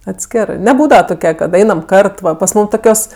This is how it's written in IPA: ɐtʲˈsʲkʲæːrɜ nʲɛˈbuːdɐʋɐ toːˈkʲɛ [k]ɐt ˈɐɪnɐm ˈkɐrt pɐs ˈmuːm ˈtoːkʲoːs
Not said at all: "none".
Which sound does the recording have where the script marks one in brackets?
k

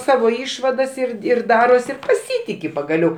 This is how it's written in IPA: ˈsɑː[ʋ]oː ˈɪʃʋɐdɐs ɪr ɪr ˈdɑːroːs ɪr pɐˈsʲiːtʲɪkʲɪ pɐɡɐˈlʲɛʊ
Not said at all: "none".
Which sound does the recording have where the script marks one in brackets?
ʋ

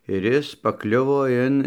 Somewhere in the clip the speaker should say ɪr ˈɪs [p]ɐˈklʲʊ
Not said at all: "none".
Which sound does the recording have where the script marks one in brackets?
p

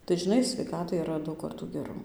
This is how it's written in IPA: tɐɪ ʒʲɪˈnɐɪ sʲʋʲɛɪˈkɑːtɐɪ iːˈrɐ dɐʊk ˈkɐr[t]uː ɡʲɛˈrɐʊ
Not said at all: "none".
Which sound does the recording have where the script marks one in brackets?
t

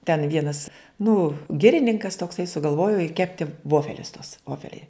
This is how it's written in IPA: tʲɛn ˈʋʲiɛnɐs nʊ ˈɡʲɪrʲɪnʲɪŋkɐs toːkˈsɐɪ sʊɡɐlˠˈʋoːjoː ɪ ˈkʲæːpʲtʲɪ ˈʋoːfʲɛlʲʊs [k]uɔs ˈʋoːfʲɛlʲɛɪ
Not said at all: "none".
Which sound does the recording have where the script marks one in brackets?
t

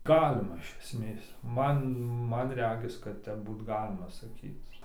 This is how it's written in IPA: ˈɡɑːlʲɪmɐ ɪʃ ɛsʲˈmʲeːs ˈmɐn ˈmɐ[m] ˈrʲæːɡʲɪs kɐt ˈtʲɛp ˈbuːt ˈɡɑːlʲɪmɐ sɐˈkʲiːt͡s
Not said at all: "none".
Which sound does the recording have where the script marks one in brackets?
n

